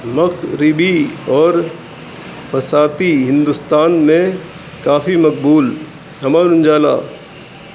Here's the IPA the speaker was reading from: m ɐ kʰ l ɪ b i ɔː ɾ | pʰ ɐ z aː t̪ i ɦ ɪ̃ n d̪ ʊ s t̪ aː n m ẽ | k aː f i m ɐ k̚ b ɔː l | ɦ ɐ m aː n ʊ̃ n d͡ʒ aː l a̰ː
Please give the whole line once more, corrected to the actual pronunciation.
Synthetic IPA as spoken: m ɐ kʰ ɾ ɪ b i ɔː ɾ | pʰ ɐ s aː t̪ i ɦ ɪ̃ n d̪ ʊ s t̪ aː n m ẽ | k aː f i m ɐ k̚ b uː l | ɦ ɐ m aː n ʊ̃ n d͡ʒ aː l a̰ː